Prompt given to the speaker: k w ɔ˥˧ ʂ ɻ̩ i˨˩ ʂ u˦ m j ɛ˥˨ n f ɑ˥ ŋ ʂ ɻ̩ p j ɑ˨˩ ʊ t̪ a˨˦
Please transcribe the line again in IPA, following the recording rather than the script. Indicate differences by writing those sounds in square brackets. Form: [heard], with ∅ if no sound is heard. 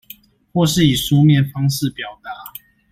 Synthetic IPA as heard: [x] w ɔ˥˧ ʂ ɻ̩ i˨˩ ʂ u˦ m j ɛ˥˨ n f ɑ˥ ŋ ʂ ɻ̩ p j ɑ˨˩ ʊ t̪ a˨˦